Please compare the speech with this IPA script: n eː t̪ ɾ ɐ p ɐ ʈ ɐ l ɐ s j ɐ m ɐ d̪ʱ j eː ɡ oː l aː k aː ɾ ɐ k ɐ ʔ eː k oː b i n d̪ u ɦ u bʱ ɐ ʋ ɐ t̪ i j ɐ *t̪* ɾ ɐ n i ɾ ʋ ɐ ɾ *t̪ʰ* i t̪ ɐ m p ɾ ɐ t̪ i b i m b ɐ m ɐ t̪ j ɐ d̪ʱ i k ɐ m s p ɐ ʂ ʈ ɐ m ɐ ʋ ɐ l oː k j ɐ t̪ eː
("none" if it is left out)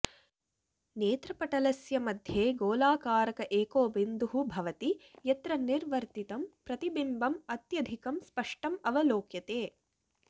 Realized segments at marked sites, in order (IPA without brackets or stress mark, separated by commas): t̪, t̪